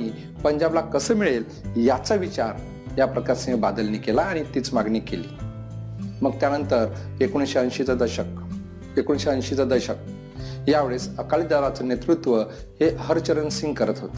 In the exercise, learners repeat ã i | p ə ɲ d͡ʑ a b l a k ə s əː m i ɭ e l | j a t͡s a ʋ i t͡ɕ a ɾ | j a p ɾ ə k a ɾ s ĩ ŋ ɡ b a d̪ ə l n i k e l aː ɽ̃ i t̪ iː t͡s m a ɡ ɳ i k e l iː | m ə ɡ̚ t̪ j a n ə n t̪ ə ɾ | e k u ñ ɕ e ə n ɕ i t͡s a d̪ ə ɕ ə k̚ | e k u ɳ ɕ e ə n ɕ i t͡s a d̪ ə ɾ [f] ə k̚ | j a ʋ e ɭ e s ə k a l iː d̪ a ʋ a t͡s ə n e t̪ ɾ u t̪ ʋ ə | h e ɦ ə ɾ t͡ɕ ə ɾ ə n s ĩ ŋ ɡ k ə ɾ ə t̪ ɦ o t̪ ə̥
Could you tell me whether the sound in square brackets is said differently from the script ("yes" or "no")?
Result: yes